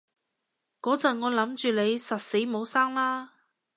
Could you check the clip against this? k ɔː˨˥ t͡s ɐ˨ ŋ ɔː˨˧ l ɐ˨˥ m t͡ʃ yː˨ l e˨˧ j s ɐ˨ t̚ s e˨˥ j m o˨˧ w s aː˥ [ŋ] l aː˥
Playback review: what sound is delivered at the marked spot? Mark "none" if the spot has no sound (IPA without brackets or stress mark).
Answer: ŋ